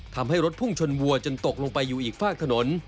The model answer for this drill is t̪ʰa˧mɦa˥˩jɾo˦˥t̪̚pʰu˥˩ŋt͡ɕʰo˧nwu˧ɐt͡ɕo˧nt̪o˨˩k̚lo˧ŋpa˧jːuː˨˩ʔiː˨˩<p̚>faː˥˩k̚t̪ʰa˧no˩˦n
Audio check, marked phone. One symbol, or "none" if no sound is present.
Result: k̚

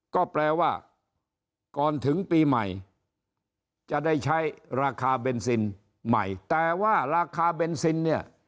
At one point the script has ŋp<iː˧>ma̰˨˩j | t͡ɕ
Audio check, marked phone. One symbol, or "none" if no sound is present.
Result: iː˧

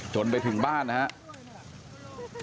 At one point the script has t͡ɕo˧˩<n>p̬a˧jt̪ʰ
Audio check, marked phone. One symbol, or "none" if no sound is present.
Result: n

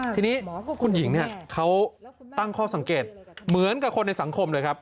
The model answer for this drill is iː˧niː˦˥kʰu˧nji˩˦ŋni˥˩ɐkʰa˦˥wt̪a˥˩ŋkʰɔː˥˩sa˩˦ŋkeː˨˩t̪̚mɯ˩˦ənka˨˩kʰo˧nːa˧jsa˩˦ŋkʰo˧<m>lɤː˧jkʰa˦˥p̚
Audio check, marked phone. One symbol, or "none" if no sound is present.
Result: m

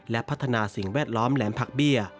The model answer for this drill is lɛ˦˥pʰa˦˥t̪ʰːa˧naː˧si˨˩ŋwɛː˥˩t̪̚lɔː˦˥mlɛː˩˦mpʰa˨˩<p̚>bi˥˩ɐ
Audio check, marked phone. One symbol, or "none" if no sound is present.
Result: k̚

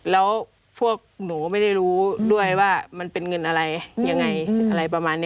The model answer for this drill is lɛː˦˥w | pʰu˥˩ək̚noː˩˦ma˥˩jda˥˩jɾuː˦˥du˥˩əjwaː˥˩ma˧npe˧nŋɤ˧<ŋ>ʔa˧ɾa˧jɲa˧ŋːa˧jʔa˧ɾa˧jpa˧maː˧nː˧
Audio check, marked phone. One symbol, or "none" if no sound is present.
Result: n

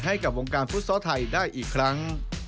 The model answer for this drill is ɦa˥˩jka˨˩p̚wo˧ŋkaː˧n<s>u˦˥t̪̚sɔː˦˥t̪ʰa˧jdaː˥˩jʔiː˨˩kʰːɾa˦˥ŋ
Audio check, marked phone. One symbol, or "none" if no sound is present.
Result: f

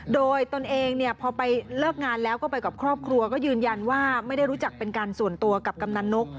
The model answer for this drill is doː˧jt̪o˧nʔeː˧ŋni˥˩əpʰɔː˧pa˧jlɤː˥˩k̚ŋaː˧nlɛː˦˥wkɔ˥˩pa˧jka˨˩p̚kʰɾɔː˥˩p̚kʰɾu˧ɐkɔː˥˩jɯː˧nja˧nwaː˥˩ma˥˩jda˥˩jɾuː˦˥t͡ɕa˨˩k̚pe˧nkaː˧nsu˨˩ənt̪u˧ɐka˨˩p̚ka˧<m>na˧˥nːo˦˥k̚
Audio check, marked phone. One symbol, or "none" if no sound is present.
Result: m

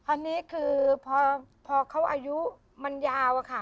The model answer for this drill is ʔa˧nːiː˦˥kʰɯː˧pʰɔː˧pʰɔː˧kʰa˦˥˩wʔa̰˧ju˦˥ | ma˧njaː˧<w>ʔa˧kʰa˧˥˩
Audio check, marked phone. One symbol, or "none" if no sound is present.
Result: w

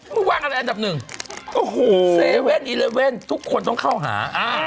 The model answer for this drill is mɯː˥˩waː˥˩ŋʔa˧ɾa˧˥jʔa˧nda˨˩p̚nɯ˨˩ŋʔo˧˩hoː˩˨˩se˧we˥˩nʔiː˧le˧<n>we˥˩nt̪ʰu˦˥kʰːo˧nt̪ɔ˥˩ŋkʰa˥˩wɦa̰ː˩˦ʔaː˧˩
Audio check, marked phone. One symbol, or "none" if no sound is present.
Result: none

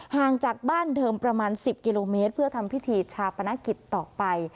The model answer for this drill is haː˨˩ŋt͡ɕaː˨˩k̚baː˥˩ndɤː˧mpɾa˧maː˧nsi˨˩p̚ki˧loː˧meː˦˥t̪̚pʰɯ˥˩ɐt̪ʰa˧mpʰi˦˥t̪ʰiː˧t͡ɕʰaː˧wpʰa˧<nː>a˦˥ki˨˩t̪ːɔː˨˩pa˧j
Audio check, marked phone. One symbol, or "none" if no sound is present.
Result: n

